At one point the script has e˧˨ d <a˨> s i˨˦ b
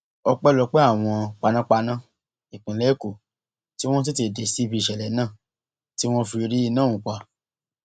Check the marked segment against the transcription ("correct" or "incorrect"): incorrect